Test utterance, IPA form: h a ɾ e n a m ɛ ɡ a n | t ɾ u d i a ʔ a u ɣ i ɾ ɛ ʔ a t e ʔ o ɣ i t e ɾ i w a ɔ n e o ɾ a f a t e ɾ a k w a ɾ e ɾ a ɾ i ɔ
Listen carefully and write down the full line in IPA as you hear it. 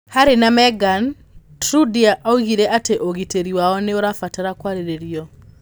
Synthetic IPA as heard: h a ɾ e n a m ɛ ɡ a n | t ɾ u d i a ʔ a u ɣ i ɾ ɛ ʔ a t e ʔ o ɣ i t e ɾ i w a ɔ n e o ɾ a f a t a ɾ a k w a ɾ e ɾ e ɾ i ɔ